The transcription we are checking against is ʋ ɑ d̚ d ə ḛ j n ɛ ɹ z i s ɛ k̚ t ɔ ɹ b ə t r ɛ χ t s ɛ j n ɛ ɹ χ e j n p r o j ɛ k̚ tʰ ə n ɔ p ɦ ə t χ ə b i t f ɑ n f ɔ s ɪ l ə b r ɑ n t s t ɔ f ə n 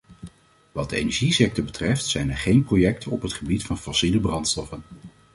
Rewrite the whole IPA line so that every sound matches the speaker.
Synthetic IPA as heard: ʋ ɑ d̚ d ə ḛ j n ɛ ɹ ʒ i s ɛ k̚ t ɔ ɹ b ə t r ɛ f t s ɛ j n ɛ ɹ χ e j n p r o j ɛ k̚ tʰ ə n ɔ p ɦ ə t χ ə b i t f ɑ n f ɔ s i l ə b r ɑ n t s t ɔ f ə n